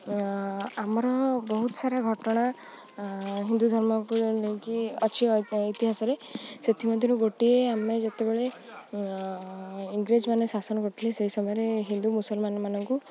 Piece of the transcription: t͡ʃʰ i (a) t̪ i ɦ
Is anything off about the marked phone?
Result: yes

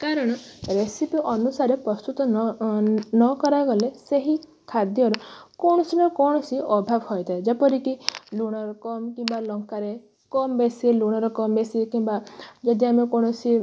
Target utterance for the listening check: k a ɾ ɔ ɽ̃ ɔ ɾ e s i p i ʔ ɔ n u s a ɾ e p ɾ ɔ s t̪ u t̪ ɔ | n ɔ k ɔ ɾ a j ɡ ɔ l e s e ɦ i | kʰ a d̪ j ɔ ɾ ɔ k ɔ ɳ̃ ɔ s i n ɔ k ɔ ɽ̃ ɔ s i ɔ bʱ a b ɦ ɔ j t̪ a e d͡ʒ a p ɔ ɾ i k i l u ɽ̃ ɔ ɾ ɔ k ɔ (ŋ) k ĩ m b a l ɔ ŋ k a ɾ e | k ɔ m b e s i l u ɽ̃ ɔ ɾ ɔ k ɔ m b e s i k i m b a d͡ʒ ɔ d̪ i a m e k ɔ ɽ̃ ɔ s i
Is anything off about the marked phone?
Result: yes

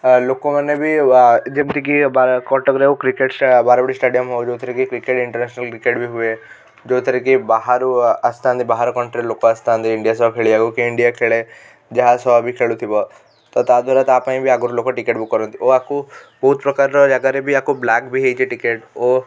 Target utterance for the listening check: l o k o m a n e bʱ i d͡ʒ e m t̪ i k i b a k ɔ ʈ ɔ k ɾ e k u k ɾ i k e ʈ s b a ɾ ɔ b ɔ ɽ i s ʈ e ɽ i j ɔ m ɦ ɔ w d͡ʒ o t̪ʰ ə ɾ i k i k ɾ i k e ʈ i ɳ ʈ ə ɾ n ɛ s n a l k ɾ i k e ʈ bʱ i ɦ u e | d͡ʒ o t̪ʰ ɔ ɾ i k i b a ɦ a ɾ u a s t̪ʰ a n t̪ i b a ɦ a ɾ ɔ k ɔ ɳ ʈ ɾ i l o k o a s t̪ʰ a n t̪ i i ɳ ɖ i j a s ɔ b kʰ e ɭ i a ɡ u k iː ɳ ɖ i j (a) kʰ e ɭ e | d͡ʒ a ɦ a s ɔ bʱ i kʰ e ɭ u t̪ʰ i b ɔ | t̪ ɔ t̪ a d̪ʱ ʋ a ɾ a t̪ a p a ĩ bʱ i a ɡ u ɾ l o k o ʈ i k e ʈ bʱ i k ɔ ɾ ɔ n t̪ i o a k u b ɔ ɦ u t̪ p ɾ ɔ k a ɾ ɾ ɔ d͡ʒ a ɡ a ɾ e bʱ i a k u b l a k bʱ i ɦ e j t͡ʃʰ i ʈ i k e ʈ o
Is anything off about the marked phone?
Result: no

